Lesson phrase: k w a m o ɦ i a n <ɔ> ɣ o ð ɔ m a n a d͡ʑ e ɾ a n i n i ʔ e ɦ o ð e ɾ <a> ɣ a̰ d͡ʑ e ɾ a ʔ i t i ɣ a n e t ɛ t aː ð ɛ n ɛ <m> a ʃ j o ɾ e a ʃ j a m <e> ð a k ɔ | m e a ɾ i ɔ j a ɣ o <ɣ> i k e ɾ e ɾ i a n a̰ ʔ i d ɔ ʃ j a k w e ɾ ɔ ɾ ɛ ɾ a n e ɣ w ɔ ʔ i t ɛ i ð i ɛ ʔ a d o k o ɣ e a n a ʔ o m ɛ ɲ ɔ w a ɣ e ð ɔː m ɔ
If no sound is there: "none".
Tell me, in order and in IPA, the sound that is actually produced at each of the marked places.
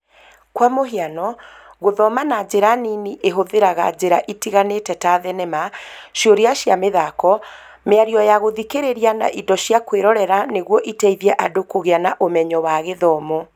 ɔ, a, m, e, ð

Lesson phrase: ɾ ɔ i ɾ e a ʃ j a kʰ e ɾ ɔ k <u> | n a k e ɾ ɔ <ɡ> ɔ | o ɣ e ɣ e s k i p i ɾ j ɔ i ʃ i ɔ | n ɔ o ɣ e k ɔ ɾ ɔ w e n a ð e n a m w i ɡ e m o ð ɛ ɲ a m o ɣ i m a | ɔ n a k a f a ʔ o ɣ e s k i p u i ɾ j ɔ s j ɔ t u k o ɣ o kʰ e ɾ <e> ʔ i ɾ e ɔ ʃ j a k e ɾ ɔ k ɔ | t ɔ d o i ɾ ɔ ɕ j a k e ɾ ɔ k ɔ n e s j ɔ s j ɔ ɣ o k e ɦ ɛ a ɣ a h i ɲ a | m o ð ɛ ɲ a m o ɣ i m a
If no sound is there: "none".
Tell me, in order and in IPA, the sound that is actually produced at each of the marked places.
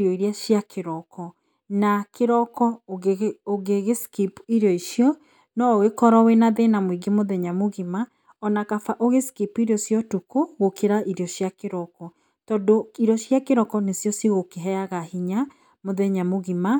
ɔ, k, a

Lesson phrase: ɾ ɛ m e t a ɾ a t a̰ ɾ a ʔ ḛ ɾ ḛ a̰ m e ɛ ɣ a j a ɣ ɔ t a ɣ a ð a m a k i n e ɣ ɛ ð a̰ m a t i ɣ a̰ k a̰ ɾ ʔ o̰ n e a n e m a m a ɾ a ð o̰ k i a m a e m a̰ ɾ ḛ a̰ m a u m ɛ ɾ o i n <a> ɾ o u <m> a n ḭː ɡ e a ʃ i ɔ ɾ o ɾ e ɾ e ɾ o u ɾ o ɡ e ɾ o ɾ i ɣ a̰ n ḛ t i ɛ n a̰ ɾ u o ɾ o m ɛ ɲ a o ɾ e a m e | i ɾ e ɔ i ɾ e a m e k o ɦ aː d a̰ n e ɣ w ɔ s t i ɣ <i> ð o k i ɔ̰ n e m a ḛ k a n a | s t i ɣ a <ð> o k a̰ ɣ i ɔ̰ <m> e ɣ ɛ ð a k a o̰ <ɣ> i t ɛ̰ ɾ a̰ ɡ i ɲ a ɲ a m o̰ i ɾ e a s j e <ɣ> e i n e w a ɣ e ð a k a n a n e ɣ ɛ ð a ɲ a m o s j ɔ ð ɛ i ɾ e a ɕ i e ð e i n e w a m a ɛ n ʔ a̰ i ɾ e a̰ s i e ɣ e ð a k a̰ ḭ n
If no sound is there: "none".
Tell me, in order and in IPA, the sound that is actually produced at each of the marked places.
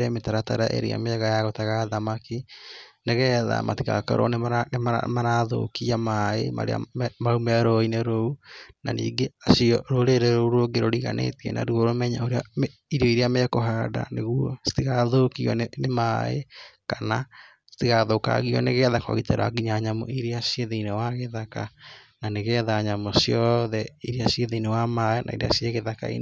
e, n, a, ð, n, ɣ, ð

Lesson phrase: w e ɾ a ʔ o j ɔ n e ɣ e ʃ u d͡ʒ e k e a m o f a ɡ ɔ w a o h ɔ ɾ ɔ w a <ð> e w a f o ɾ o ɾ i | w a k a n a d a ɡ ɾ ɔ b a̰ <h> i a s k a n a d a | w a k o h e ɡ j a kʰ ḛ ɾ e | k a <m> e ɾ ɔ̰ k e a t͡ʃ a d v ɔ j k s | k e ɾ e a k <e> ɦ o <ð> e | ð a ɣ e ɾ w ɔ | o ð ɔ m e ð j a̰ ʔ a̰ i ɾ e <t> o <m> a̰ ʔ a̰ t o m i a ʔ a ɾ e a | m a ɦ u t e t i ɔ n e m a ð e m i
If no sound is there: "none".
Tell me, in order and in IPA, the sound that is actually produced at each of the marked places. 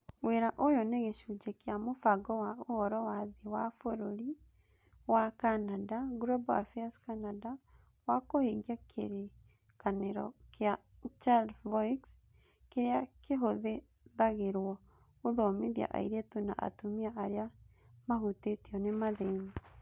ð, f, n, e, ð, t, n

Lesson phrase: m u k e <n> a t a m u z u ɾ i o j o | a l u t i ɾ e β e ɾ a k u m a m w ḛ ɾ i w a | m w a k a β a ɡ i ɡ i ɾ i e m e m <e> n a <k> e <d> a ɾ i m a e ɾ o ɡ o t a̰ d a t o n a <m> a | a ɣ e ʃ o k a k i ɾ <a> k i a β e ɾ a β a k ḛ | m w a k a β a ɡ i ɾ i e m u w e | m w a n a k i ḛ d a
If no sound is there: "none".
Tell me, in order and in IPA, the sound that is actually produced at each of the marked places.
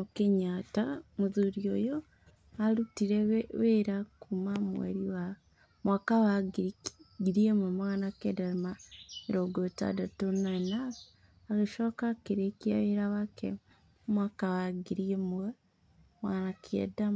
ɲ, a, k, d, n, e

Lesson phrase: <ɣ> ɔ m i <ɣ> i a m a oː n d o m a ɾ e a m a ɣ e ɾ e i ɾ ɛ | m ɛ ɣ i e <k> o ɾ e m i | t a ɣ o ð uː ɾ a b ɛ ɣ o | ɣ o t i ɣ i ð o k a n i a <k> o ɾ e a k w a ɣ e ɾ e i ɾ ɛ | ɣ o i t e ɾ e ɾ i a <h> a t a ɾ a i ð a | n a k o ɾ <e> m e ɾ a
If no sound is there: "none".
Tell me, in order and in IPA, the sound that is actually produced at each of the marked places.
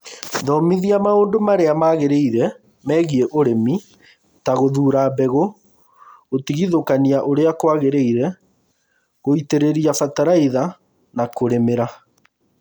ð, ð, ʔ, ʔ, f, e

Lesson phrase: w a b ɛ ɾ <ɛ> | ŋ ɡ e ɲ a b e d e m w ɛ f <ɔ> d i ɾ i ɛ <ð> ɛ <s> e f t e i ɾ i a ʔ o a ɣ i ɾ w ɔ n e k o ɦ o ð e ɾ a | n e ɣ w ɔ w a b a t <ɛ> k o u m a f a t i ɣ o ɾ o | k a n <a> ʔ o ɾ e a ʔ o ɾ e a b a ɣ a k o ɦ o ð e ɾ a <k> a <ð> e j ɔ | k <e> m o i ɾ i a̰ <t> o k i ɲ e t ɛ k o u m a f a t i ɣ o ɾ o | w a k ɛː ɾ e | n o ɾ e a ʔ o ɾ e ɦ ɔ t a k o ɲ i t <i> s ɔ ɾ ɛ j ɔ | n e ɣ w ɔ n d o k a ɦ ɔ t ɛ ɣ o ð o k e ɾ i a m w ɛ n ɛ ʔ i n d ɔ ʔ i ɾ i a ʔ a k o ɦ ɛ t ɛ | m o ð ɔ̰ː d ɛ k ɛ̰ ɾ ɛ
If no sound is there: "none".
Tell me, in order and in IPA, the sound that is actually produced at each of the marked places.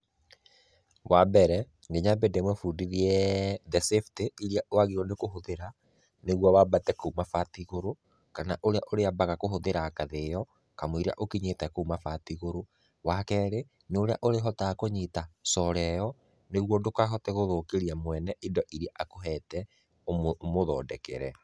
ɛ, u, ð, s, ɛ, a, k, ð, a, ʔ, a

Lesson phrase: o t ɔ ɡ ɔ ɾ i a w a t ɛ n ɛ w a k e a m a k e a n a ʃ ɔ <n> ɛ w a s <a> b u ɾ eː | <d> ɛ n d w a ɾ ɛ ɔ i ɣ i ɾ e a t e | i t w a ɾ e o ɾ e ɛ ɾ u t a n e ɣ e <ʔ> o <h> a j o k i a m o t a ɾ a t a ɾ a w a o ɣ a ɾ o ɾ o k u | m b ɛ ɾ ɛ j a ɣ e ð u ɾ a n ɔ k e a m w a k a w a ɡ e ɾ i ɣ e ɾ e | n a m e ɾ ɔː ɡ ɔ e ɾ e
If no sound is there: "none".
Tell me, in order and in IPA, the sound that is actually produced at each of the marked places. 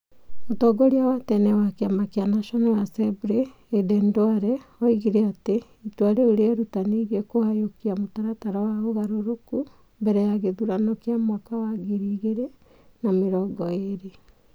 n, ɛ, d, k, h

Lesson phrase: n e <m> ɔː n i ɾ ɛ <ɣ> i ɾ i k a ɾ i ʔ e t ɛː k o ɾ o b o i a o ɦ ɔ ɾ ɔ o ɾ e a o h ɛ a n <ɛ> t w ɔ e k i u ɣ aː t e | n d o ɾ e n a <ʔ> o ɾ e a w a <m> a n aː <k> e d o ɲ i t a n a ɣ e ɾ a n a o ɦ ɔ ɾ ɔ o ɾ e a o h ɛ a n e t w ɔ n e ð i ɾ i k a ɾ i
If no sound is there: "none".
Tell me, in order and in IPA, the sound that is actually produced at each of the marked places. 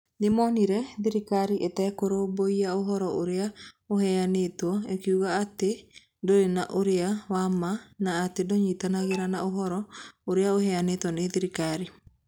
m, ð, e, ʔ, m, t

